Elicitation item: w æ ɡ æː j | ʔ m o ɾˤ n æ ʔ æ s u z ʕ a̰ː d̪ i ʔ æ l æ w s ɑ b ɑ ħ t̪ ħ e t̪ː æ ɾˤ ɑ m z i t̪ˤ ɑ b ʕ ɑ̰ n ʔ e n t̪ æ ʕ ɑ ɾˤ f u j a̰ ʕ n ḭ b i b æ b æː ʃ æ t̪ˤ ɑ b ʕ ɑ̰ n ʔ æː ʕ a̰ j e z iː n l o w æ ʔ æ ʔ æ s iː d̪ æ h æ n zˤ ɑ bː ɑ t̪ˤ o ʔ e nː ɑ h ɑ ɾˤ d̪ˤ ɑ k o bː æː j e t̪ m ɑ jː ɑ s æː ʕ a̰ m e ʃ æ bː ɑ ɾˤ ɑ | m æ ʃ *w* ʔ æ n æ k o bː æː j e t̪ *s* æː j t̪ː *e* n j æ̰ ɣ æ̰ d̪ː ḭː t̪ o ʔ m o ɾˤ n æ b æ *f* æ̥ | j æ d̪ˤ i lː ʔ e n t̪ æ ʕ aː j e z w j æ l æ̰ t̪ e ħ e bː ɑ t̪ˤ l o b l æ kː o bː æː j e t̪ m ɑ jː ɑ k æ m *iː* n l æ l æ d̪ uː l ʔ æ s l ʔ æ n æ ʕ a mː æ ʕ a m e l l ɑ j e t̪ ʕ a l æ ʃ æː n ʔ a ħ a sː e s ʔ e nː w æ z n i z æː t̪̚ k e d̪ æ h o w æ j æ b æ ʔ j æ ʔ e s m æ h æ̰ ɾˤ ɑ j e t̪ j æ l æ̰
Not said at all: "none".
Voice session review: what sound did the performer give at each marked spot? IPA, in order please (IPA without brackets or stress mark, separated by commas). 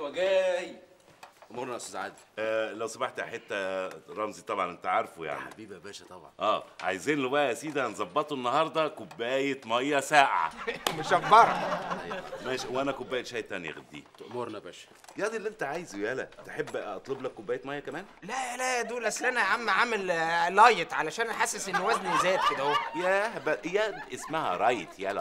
w, ʃ, æ, ʃ, æː